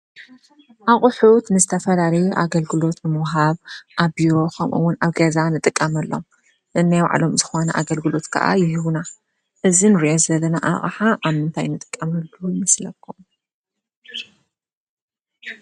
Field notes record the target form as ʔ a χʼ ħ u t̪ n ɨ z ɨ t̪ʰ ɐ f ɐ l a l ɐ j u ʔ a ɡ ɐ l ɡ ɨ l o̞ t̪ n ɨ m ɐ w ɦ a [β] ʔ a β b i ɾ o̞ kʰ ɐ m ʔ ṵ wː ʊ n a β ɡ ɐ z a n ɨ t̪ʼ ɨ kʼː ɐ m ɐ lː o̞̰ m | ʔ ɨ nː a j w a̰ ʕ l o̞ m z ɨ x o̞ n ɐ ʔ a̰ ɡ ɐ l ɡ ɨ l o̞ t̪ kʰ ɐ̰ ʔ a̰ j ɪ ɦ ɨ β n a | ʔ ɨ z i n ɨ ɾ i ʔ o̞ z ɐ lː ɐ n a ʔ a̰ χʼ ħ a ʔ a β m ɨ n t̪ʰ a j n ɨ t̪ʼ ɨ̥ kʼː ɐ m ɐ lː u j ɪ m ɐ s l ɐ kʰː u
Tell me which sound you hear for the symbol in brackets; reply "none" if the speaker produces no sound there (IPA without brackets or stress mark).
β